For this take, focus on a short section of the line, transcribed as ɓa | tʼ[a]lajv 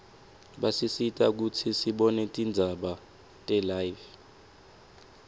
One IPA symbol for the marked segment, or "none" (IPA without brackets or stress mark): ɛ